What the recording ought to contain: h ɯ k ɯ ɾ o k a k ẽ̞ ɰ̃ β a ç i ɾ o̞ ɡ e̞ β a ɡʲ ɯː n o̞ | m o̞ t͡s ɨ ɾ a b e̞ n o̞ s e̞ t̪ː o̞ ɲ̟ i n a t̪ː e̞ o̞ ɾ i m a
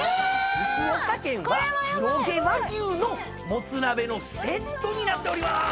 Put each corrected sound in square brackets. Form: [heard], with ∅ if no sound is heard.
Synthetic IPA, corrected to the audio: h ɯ k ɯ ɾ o k a k ẽ̞ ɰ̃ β a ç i ɾ o̞ ɡ e̞ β a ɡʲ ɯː n o̞ | m o̞ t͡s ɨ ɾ a b e̞ n o̞ s e̞ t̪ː o̞ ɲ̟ i n a t̪ː e̞ o̞ ɾ i m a